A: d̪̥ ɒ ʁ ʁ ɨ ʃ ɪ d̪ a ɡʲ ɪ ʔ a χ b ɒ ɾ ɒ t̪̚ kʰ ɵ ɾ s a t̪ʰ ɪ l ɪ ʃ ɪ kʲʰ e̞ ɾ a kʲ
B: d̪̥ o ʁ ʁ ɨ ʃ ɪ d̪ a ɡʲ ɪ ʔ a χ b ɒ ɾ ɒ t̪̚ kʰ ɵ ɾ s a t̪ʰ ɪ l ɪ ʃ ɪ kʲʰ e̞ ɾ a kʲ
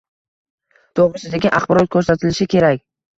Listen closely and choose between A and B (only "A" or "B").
B